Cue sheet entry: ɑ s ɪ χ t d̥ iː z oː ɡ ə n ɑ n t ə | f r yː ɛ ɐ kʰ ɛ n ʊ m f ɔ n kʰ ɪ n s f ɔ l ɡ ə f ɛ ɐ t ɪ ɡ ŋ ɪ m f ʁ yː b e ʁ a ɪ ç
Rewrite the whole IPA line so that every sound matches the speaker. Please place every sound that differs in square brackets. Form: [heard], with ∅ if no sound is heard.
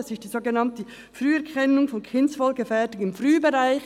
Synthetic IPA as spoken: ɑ s ɪ [s] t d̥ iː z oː ɡ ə n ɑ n t ə | f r yː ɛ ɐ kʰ ɛ n ʊ [ŋ] f ɔ n kʰ ɪ n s f ɔ l ɡ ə f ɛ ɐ t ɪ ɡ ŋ ɪ m f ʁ yː b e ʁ a ɪ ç